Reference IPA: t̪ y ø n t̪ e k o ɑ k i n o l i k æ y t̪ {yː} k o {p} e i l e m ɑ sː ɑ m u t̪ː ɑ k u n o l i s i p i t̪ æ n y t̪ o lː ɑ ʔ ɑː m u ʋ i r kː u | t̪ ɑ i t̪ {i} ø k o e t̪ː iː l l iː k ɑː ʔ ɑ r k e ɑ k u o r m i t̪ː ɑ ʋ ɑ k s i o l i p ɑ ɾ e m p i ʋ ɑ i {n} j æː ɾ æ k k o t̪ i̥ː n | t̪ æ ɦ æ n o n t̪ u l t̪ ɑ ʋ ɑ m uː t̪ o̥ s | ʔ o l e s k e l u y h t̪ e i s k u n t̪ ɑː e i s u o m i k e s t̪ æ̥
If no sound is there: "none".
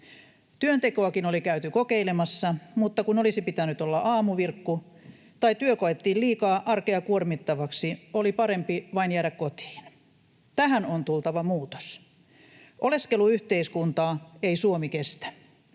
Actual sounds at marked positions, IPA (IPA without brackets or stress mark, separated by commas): y, k, y, n